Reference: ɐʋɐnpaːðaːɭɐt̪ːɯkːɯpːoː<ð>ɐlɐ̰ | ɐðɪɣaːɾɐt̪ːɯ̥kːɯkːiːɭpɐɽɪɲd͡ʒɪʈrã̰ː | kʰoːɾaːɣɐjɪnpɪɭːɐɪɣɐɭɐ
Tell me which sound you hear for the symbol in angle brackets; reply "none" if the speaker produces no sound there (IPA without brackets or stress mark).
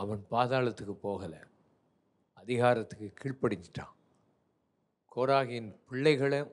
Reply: ɣ